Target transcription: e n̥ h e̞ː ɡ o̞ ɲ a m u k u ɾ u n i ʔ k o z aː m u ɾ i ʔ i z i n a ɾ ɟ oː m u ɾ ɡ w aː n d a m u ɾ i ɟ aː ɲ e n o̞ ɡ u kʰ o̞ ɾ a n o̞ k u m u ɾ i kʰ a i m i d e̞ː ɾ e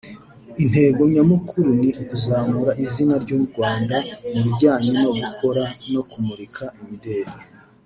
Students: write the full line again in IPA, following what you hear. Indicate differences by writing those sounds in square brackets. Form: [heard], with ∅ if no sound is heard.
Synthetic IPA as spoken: [i] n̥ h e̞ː ɡ o̞ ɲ a m u k u ɾ u n i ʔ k [u] z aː m u ɾ [a] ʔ i z i n a ɾ ɟ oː m u ɾ ɡ w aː n d a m u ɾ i ɟ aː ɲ e n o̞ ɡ u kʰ o̞ ɾ a n o̞ k u m u ɾ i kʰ a i m i d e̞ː ɾ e